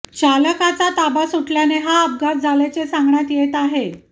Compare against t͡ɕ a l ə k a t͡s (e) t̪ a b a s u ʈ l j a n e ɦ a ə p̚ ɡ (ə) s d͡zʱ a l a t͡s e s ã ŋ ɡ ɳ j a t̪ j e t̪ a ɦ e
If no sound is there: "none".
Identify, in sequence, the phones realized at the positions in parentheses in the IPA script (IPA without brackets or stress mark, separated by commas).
a, a